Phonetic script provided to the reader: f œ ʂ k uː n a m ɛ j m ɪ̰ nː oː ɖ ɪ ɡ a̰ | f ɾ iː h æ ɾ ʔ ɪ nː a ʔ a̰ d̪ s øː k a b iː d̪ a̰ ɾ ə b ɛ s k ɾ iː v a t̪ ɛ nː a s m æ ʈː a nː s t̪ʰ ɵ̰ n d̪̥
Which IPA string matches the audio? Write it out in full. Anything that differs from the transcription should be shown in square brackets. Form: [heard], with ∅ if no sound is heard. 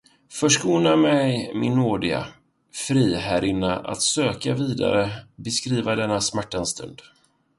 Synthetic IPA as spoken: f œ ʂ k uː n a m ɛ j m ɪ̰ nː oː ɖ ɪ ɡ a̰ | f ɾ iː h æ ɾ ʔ ɪ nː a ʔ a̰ [t̪] s øː k a [v] iː d̪ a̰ ɾ ə b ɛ s k ɾ iː v a [d̪] ɛ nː a s m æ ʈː a [n] s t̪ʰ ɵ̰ n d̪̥

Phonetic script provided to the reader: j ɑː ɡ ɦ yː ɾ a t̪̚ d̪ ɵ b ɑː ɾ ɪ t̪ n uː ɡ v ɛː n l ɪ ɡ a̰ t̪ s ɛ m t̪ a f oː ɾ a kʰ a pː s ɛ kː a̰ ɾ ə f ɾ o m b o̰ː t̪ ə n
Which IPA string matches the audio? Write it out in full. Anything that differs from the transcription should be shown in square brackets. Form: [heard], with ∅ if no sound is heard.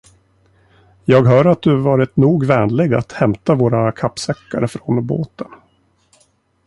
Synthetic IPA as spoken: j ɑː ɡ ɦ [œː] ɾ a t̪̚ d̪ ɵ [v] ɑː ɾ ɪ t̪ n uː ɡ v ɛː n l ɪ ɡ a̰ t̪ [h] ɛ m t̪ a [v] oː ɾ a kʰ a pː s ɛ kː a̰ ɾ ə f ɾ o [n] b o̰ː t̪ ə n

